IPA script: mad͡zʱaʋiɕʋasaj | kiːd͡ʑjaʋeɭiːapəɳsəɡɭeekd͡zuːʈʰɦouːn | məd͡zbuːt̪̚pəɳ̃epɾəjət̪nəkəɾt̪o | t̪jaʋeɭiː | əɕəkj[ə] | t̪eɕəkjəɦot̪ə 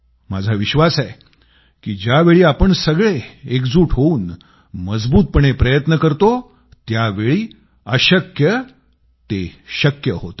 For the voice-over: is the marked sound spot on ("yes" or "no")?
yes